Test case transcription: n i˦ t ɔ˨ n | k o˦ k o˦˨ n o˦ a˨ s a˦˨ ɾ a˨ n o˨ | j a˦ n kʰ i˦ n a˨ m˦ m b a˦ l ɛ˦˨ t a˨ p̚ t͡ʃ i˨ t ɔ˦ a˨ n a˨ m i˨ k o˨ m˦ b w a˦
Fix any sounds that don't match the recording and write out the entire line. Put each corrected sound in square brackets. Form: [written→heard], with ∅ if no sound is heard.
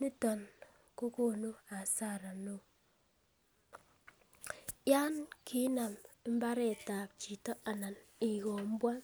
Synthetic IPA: n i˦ t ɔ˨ n | k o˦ k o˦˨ n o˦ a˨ s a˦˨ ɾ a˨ n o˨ | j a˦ n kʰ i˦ n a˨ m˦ m b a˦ [l→ɾ] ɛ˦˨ t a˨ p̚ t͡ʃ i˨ t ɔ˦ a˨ n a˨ [m→n] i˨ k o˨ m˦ b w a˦